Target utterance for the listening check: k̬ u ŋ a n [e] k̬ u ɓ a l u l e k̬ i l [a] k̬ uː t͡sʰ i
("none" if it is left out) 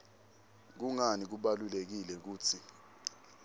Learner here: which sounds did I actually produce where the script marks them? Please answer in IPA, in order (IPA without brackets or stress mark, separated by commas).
i, ɛ